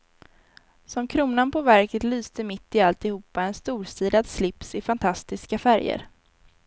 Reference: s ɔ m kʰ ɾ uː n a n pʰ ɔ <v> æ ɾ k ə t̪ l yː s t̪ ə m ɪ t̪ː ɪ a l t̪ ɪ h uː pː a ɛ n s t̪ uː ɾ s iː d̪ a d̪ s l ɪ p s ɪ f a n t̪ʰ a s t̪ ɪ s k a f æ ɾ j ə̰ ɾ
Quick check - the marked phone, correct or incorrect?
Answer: correct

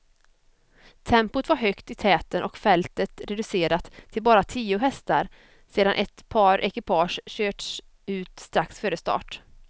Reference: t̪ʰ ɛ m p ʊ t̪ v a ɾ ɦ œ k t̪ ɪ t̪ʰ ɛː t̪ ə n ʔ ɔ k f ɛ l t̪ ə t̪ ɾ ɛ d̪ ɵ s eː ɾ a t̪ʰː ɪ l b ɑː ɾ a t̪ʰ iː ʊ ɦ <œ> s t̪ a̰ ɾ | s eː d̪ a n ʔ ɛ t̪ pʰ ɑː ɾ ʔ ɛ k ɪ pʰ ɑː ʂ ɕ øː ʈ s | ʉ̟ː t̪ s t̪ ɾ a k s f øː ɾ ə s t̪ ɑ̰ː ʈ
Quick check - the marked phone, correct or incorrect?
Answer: incorrect: ɛ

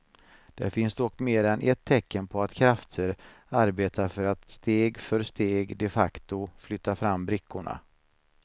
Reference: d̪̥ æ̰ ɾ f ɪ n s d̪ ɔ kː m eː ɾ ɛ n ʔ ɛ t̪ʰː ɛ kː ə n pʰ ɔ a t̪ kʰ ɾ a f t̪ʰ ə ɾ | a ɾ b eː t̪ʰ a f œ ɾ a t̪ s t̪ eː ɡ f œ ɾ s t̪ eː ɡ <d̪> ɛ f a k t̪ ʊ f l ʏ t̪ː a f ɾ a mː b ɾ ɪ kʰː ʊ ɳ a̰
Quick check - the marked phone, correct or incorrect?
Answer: correct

